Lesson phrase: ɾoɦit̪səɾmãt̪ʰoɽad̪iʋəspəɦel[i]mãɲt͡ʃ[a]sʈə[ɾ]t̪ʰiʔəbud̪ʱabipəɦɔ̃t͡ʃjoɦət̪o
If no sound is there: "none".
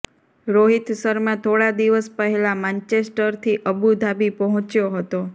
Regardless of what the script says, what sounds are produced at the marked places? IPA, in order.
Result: a, e, ɾ

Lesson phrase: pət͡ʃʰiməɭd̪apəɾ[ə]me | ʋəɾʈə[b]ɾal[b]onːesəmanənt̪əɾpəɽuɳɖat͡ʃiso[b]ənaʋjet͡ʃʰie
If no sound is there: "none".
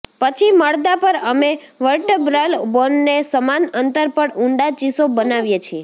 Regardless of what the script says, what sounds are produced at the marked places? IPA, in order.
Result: ə, b, b, b

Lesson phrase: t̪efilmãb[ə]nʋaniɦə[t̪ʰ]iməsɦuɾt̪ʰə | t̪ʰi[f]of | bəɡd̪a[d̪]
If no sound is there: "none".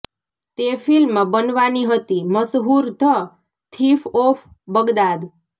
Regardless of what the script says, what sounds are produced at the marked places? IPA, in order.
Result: ə, t̪, f, d̪

